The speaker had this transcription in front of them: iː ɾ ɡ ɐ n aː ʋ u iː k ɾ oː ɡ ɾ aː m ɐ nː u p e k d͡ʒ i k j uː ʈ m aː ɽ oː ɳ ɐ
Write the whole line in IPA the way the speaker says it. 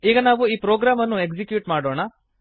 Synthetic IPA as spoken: iː ɡ ɐ n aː ʋ u iː p ɾ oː ɡ ɾ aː m ɐ nː u e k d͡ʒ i k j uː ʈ m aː ɽ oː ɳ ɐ